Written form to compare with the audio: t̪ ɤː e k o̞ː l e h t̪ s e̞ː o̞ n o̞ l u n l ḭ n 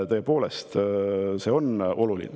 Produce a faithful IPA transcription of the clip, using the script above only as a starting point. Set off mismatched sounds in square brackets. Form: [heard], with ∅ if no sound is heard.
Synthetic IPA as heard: t̪ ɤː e [p] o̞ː l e [s] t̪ s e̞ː o̞ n o̞ l u [∅] l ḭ n